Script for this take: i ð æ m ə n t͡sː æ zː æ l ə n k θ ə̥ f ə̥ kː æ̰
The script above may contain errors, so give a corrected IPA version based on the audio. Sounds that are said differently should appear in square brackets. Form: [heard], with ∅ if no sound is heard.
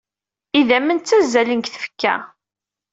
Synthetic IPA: i ð æ m ə n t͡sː æ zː æ l ə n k θ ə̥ f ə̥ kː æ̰